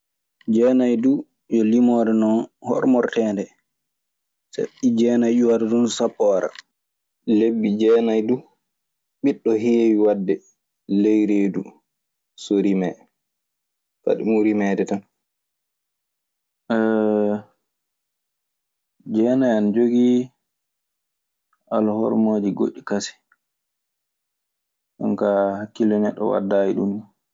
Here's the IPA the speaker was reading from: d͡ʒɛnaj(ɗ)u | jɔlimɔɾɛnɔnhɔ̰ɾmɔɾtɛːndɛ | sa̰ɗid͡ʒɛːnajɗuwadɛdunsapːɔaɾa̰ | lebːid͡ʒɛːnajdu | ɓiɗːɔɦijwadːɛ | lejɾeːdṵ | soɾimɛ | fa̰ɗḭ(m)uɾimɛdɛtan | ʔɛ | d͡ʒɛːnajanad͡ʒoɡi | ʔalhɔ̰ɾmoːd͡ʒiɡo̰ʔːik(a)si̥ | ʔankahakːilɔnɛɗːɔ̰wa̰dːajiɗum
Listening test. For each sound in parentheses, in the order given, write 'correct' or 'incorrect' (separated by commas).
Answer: incorrect, correct, correct